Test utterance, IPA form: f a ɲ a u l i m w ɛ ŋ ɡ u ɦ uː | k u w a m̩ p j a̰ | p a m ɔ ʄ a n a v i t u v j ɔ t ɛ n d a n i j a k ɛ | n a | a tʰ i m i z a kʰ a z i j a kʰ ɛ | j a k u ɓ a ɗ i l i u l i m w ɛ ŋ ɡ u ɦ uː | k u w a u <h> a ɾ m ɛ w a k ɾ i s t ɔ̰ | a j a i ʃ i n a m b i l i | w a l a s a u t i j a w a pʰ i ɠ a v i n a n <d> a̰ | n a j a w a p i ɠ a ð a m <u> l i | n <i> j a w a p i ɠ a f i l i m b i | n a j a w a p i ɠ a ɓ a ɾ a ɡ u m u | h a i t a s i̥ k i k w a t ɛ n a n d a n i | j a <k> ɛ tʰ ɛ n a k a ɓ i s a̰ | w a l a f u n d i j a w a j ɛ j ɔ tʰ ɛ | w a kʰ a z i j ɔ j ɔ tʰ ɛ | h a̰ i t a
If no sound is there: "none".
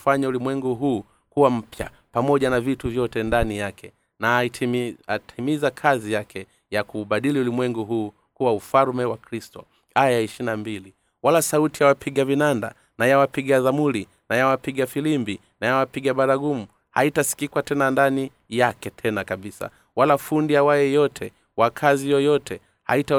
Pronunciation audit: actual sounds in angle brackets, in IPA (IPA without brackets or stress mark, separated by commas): f, d, u, a, k